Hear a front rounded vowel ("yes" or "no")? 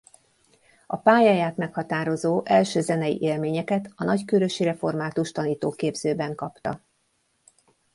yes